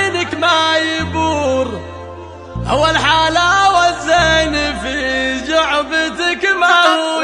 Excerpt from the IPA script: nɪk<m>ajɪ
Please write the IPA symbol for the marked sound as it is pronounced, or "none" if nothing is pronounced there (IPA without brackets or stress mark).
m